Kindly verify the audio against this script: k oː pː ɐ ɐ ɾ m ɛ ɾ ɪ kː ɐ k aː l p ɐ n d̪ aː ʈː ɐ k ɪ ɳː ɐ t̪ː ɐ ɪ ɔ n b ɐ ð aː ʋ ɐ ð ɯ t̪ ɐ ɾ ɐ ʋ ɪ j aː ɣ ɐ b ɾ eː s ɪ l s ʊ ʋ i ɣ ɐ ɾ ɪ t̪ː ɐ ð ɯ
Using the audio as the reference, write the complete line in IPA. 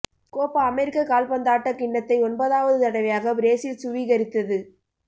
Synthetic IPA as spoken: k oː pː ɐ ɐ m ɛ ɾ ɪ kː ɐ k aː l p ɐ n d̪ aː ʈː ɐ k ɪ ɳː ɐ t̪ː ɐ ɪ ɔ n b ɐ ð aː ʋ ɐ ð ɯ t̪ ɐ ɽ ɐ ʋ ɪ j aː ɣ ɐ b ɾ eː s ɪ l s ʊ ʋ i ɣ ɐ ɾ ɪ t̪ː ɐ ð ɯ